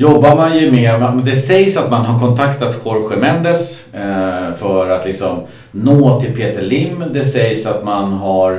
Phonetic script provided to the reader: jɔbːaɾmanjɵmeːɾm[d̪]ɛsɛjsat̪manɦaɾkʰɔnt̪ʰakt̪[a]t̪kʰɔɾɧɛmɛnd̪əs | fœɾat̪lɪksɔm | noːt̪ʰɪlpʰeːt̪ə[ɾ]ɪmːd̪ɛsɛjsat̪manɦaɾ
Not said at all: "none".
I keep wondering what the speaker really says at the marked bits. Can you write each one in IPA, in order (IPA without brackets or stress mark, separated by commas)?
d̪, a, ɭ